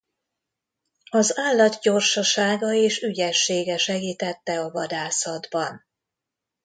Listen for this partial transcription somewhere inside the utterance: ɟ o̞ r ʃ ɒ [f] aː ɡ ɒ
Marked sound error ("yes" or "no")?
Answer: yes